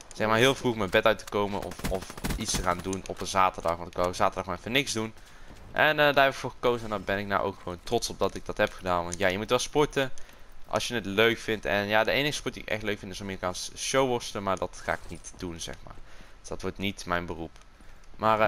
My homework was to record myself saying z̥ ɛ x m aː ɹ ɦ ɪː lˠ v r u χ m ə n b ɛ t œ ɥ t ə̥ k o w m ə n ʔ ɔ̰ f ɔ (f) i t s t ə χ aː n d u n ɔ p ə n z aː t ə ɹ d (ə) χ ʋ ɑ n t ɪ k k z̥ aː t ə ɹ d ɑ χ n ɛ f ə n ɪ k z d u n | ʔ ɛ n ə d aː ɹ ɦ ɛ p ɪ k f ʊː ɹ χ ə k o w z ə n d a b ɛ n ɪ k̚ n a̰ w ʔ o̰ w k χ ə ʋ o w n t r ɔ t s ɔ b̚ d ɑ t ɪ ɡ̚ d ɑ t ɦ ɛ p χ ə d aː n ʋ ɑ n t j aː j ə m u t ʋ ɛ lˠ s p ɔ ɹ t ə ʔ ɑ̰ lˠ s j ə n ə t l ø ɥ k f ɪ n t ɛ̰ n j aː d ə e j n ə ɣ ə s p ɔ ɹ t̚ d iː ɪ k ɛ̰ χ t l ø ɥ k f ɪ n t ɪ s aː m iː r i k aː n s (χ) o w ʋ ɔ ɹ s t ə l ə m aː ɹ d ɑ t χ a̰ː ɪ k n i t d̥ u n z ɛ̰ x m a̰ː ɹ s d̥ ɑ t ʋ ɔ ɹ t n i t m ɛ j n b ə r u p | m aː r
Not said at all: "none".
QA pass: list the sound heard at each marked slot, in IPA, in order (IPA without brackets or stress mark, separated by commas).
f, ɑ, ʃ